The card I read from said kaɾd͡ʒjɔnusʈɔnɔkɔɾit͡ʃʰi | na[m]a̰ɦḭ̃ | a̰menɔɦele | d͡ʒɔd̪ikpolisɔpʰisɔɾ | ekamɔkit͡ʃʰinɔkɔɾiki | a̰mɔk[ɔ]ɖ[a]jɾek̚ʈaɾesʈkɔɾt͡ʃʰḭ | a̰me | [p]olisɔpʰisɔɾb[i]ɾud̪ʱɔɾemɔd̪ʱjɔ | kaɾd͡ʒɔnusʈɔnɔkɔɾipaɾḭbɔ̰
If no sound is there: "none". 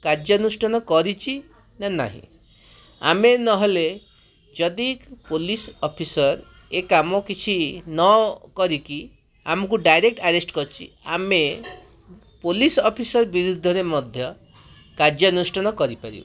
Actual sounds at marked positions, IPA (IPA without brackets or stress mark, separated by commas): n, u, a, p, i